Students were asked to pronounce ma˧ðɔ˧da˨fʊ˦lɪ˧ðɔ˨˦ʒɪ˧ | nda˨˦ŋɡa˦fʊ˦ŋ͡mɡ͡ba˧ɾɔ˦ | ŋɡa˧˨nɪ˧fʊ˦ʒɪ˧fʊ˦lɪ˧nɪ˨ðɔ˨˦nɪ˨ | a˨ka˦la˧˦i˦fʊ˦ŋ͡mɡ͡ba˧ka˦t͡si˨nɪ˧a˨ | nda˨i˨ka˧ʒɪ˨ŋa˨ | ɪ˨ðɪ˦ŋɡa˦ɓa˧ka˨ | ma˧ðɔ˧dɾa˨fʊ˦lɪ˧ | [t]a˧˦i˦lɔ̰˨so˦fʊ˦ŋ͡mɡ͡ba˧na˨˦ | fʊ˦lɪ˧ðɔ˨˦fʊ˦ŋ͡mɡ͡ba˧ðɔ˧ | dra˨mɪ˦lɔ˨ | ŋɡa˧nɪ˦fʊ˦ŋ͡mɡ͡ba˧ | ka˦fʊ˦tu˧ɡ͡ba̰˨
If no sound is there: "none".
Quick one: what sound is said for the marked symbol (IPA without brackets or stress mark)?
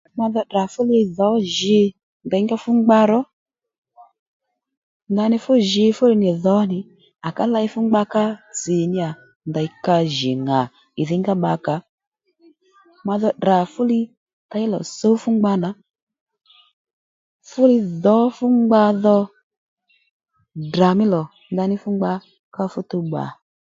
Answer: t